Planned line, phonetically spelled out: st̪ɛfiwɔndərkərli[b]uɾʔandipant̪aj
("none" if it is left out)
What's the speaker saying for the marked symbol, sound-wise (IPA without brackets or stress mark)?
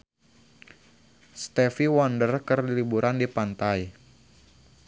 b